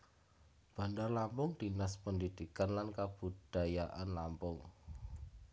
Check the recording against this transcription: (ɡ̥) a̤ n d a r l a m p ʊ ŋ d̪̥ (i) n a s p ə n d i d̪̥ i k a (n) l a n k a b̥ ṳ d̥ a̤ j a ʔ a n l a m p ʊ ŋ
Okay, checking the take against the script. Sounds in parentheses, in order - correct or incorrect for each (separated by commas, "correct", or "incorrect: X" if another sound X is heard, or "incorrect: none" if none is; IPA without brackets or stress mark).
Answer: incorrect: b̥, correct, correct